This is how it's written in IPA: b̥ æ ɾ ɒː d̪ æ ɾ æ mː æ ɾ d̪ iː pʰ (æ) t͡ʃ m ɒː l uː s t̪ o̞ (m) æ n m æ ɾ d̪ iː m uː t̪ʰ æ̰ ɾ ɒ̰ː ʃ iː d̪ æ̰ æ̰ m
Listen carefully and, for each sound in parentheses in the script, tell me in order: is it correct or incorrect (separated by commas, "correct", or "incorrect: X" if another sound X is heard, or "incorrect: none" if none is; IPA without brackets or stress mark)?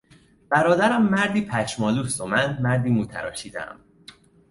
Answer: correct, correct